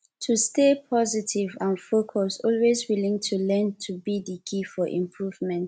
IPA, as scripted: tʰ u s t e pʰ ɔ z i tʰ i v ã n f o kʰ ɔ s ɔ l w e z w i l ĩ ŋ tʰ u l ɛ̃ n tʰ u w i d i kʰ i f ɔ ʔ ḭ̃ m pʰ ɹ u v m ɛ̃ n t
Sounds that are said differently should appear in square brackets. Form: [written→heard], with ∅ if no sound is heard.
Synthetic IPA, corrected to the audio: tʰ u s t e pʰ ɔ z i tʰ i v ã n f o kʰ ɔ s ɔ l w e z w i l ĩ ŋ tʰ u l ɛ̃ n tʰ u [w→b] i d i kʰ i f ɔ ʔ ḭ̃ m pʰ ɹ u v m ɛ̃ n t